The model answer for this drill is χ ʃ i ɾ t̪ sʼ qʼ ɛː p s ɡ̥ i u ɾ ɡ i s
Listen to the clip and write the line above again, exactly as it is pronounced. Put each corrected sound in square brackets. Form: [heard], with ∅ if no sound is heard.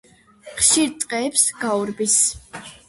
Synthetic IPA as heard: χ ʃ i ɾ t̪ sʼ qʼ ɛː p s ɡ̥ [a] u ɾ [b] i s